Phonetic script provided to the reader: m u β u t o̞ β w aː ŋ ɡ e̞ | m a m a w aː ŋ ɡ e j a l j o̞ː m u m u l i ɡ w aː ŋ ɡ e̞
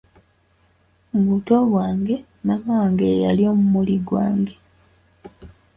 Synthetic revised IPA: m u β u t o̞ β w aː ŋ ɡ e̞ | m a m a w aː ŋ ɡ e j a l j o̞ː m u m u l i ɡ w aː ŋ ɡ e̞